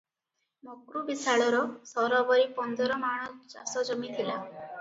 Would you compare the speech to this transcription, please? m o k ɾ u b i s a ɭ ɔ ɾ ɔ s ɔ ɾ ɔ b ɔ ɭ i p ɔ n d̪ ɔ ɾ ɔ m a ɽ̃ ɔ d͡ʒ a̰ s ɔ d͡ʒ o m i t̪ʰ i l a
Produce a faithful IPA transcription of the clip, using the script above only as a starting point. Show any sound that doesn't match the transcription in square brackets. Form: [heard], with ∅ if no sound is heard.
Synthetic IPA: m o k ɾ u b i s a ɭ ɔ ɾ ɔ s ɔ ɾ ɔ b ɔ [ɾ] i p ɔ n d̪ ɔ ɾ ɔ m a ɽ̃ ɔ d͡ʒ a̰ s ɔ d͡ʒ [ɔ] m i t̪ʰ i l a